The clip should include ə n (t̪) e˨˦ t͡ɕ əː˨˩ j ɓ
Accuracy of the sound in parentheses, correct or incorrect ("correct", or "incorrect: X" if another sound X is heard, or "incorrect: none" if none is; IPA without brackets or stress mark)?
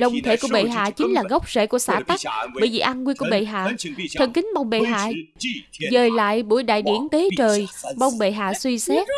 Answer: correct